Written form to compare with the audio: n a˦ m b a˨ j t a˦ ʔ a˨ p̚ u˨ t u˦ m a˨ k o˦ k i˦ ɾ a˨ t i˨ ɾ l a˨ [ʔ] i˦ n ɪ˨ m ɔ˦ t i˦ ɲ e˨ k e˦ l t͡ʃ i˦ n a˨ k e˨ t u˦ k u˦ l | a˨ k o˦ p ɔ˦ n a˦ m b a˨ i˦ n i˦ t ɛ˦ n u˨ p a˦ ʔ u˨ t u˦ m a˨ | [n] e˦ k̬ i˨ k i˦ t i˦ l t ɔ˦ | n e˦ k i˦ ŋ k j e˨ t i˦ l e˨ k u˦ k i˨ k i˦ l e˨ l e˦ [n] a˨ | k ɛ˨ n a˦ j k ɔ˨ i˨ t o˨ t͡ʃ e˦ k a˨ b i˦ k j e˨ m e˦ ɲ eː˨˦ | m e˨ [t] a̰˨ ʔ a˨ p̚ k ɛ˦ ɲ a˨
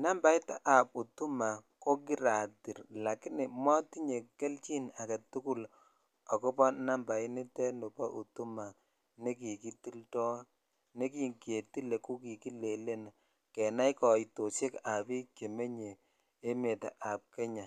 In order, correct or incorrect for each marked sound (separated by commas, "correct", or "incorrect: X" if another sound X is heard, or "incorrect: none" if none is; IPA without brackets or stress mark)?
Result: incorrect: k, correct, correct, correct